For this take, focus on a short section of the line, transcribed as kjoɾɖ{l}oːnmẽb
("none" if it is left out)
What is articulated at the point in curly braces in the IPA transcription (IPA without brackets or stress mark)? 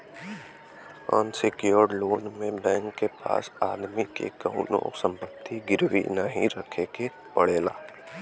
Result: l